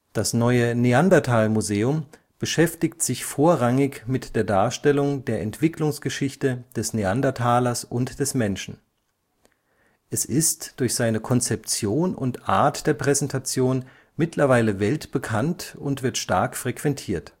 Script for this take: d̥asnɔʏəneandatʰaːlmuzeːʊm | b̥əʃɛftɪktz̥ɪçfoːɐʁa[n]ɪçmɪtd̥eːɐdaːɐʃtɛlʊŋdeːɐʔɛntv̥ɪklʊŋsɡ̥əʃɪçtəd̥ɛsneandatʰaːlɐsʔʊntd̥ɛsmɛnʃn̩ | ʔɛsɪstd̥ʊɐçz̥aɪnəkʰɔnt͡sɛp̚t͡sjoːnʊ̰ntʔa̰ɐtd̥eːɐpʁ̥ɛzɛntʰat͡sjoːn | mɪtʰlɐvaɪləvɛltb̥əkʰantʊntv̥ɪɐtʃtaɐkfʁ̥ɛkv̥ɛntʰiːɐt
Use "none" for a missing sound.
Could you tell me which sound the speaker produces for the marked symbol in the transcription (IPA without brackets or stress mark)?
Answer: ŋ